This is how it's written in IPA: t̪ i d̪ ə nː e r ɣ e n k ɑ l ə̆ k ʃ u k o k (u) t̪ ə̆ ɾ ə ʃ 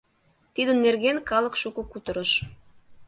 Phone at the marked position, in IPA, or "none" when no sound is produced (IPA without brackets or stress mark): u